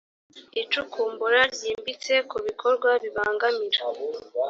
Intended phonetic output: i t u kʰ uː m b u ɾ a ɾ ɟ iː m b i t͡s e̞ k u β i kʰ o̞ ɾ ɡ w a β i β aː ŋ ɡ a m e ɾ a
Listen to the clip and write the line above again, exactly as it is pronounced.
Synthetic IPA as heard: i t͡ʃ u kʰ uː m b u ɾ a ɾ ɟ iː m b i t͡s e̞ k u β i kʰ o̞ ɾ ɡ w a β i β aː ŋ ɡ a m i ɾ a